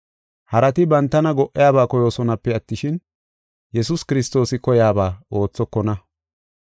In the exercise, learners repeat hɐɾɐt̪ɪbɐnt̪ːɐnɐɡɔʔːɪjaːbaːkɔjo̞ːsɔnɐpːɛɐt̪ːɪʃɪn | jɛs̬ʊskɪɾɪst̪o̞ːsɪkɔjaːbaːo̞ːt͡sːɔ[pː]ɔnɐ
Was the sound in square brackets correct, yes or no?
no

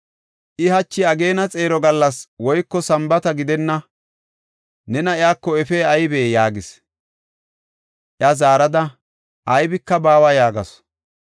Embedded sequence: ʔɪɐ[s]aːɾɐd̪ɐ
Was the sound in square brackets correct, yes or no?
no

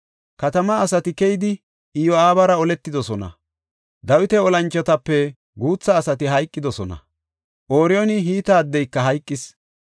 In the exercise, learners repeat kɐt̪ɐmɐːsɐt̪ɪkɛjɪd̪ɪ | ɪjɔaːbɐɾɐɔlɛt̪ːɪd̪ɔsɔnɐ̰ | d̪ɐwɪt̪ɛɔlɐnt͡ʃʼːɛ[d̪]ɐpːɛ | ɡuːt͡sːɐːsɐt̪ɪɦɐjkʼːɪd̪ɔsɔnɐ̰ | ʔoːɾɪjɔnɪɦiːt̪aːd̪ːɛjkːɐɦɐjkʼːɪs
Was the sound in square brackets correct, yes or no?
no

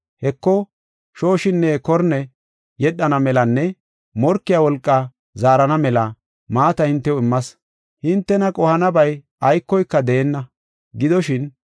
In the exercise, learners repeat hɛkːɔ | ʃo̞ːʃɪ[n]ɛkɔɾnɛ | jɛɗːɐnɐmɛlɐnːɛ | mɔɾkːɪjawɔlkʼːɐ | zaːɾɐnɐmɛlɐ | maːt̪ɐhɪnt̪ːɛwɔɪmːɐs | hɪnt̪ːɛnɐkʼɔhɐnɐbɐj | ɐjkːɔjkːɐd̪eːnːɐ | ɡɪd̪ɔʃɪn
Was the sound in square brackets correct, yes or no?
no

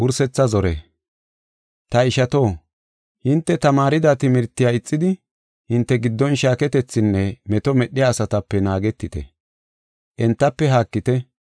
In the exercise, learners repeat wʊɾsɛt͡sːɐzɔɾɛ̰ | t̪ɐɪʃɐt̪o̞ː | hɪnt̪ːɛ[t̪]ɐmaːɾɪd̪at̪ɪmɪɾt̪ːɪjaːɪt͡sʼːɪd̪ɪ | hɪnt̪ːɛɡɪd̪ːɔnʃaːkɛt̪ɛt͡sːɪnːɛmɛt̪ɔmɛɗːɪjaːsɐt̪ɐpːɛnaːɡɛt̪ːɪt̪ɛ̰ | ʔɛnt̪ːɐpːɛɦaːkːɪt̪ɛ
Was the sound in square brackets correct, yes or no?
yes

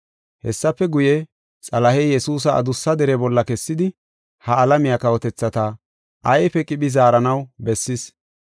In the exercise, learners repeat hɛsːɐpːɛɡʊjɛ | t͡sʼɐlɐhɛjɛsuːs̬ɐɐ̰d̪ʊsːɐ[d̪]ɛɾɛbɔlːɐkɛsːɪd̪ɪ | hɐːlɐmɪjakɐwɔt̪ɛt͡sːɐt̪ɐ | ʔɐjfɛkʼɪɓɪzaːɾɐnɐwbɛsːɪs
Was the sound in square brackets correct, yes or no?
yes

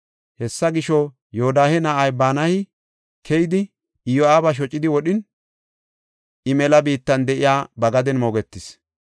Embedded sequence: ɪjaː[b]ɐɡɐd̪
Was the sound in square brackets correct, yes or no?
yes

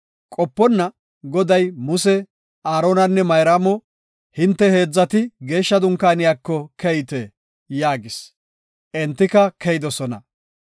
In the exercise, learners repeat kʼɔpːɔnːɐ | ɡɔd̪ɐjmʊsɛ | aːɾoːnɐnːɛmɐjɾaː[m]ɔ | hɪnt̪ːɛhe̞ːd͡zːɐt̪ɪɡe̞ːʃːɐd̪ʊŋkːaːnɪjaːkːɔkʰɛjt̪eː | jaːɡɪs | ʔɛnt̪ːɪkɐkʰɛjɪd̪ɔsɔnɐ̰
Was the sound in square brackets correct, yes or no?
yes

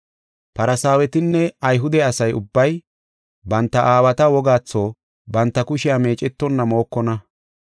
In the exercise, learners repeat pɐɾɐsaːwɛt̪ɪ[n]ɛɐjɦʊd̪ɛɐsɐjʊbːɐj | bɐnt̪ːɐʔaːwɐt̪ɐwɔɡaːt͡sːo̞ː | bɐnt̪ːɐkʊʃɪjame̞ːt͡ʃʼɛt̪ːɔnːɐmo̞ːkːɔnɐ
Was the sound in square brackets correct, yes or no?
no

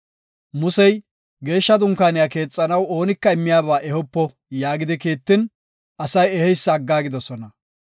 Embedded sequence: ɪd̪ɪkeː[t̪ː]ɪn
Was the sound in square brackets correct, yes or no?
yes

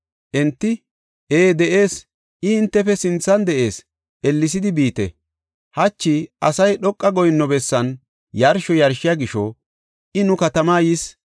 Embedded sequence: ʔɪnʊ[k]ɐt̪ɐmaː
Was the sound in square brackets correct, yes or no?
yes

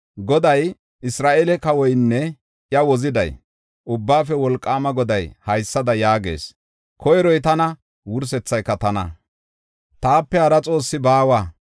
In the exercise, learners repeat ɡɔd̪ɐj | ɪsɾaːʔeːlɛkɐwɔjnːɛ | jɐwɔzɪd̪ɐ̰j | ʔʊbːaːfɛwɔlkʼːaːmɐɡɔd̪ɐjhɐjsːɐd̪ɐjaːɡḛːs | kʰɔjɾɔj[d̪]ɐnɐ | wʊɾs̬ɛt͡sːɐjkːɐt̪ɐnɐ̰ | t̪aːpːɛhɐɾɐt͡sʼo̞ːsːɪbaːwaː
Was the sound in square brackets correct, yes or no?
no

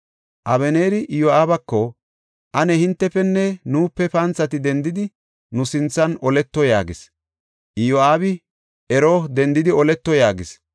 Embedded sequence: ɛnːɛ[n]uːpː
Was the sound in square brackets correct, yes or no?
yes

